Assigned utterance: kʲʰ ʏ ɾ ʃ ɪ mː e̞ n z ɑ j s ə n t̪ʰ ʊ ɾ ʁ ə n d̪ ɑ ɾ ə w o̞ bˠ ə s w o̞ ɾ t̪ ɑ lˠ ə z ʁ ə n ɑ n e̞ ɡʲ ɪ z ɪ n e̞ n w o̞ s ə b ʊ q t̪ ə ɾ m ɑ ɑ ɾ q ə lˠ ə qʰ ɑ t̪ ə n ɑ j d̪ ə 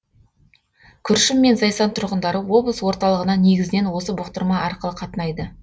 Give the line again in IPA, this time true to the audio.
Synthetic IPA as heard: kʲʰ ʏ ɾ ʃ ɪ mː e̞ n z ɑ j s ɑ n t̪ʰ ʊ ɾ ʁ ə n d̪ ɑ ɾ ə w o̞ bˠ ə s w o̞ ɾ t̪ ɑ lˠ ə ʁ ə n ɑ n e̞ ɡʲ ɪ z ɪ n e̞ n w o̞ s ə b ʊ q t̪ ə ɾ m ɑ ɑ ɾ q ə lˠ ə qʰ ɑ t̪ ə n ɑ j d̪ ə